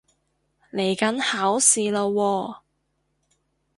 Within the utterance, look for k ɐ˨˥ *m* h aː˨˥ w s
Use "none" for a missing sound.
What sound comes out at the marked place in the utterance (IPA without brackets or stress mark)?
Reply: n